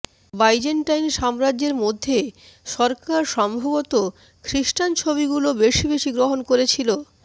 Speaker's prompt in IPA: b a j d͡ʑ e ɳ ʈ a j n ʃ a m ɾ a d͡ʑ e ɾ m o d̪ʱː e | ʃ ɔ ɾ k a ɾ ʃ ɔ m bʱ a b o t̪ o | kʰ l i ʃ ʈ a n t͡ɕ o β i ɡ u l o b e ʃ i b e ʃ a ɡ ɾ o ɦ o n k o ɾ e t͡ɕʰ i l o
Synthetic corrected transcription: b a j d͡ʑ e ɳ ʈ a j n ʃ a m ɾ a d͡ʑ e ɾ m o d̪ʱː e | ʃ ɔ ɾ k a ɾ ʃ ɔ m bʱ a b o t̪ o | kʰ ɾ i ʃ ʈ a n t͡ɕʰ o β i ɡ u l o b e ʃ i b e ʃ i ɡ ɾ o ɦ o n k o ɾ e t͡ɕʰ i l o